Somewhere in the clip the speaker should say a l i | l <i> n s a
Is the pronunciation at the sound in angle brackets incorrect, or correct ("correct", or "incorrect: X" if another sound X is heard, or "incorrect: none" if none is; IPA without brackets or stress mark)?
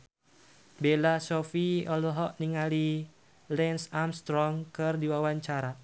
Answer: incorrect: ɛ